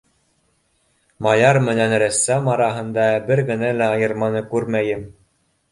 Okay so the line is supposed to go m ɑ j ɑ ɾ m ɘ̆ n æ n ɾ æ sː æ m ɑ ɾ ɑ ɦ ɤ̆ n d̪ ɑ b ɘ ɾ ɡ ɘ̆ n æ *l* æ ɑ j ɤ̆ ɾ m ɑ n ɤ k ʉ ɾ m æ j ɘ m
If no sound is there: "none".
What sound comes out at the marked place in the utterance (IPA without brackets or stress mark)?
l